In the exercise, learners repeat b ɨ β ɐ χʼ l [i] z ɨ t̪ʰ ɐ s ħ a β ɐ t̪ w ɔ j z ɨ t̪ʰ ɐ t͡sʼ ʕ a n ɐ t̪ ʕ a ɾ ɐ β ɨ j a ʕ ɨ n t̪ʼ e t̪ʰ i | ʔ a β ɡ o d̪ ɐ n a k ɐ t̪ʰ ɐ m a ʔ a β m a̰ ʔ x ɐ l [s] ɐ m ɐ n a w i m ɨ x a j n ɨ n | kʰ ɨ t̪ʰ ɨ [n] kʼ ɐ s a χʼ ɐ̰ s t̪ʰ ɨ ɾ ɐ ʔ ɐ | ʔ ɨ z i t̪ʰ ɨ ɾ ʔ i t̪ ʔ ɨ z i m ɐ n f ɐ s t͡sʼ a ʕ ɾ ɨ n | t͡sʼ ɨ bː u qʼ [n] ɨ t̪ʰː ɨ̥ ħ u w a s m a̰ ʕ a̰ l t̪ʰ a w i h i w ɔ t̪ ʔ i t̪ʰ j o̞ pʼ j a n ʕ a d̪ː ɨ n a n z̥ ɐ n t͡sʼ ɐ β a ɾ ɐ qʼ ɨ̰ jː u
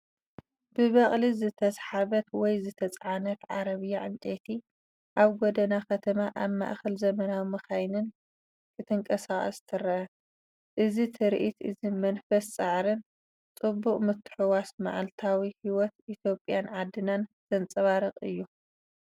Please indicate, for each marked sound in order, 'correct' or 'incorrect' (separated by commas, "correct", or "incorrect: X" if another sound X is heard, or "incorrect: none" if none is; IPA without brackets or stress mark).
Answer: correct, incorrect: z, incorrect: ŋ, incorrect: m